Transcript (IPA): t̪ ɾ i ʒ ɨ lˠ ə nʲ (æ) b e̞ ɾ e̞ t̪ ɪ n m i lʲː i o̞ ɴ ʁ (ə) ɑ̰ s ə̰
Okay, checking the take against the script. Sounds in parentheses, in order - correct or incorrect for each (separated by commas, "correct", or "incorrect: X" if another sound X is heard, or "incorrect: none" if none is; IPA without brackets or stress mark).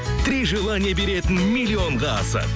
incorrect: e, incorrect: ɑ